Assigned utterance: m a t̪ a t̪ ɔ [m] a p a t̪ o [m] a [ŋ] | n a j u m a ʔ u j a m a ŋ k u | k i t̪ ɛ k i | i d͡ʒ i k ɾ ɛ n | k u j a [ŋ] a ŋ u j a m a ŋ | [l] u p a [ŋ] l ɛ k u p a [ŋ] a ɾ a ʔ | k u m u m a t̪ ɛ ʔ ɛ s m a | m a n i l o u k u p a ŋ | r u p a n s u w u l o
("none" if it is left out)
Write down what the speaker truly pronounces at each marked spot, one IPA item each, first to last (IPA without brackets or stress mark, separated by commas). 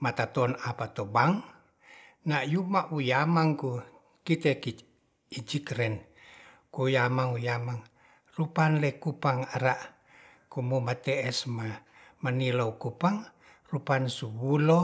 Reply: n, b, ŋ, m, r, n, ŋ